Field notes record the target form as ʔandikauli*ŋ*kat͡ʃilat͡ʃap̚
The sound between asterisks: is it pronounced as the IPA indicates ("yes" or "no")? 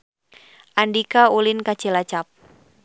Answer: no